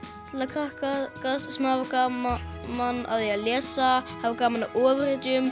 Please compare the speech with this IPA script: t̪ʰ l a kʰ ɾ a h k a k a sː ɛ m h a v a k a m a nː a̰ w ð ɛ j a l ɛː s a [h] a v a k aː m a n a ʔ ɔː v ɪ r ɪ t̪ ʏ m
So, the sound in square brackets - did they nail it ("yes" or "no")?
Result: yes